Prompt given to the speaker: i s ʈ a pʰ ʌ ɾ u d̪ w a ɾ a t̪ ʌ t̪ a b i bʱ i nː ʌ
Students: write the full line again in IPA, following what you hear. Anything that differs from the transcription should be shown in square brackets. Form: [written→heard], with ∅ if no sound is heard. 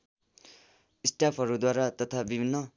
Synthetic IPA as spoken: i s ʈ a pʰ ʌ ɾ u d̪ w a ɾ a t̪ ʌ [t̪→t̪ʰ] a b i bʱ i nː ʌ

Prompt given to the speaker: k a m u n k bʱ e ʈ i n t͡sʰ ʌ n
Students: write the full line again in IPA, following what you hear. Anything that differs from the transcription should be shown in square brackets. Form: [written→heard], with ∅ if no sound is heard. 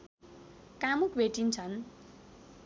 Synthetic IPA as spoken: k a m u [n→∅] k bʱ e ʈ i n t͡sʰ ʌ n

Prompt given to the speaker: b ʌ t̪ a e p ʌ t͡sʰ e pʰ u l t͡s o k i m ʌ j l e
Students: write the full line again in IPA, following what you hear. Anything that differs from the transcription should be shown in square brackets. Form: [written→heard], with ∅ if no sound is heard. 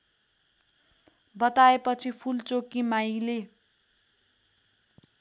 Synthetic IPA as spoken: b ʌ t̪ a e p ʌ t͡sʰ [e→i] pʰ u l t͡s o k i m [ʌ→a] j l e

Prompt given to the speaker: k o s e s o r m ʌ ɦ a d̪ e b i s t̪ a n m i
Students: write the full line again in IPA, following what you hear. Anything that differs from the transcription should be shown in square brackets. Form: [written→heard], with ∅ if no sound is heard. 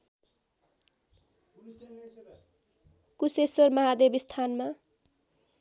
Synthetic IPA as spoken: k [o→u] s e s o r m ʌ ɦ a d̪ e b i s [t̪→t̪ʰ] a n m [i→a]

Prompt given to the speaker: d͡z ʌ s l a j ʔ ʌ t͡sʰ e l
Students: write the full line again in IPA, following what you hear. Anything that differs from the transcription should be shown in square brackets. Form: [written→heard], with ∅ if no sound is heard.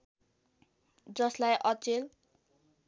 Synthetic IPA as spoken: d͡z ʌ s l a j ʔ ʌ [t͡sʰ→t͡s] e l

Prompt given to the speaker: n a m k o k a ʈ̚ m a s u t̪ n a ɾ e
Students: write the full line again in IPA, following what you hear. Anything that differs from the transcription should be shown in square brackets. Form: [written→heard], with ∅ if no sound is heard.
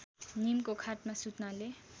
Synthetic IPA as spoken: n [a→i] m k o [k→kʰ] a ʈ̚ m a s u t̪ n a [ɾ→l] e

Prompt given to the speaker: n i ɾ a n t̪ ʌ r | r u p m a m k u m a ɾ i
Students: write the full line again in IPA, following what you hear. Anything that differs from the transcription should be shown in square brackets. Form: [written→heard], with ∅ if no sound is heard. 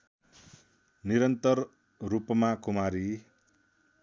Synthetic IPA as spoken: n i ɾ [a→ʌ] n t̪ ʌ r | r u p m a [m→∅] k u m a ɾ i

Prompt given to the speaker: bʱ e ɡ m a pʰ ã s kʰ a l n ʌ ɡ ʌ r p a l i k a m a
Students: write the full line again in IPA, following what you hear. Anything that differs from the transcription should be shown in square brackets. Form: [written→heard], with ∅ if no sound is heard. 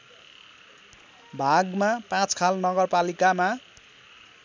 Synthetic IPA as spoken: bʱ [e→a] ɡ m a [pʰ→p] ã [s→t͡s] kʰ a l n ʌ ɡ ʌ r p a l i k a m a

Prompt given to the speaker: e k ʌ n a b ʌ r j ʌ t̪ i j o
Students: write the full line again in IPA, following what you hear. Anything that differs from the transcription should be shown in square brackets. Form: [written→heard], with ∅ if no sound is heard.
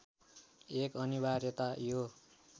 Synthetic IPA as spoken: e k ʌ n [a→i] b [ʌ→a] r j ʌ t̪ [i→a] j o

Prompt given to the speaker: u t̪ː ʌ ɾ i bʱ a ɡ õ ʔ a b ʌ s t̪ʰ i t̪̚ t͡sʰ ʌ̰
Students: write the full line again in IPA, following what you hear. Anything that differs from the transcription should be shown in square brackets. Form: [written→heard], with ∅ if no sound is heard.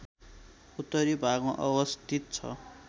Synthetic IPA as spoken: u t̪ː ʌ ɾ i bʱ a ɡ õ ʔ [a→ʌ] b ʌ s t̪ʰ i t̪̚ t͡sʰ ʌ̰

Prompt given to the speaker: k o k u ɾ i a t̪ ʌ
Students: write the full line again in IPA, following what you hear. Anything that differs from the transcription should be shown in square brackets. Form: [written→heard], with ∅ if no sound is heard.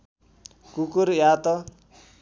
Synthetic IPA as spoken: k [o→u] k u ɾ [i→j] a t̪ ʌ

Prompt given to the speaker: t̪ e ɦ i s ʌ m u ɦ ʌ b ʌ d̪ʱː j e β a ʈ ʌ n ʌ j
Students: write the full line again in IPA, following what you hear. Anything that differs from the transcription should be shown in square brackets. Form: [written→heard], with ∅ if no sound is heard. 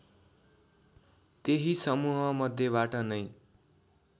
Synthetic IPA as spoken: t̪ e ɦ i s ʌ m u ɦ ʌ [b→m] ʌ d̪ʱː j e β a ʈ ʌ n ʌ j

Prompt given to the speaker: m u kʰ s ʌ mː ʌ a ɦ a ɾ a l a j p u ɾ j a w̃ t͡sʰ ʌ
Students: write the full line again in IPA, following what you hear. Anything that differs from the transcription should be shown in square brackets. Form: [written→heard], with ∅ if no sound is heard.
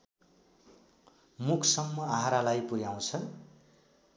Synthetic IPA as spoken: m u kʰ s ʌ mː ʌ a ɦ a ɾ a l a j p u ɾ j a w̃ t͡sʰ ʌ

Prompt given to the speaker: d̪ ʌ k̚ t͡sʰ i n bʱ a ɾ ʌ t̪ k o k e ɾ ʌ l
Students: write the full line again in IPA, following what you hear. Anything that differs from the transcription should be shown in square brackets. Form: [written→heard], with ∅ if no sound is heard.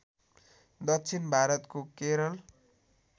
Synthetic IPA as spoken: d̪ ʌ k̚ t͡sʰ i n bʱ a ɾ ʌ t̪ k o k e ɾ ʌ l

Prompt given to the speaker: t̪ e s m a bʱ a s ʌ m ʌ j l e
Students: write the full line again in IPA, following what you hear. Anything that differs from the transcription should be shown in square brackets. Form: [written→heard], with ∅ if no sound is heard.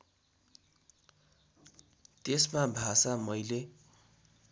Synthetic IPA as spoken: t̪ e s m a bʱ a s [ʌ→a] m ʌ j l e

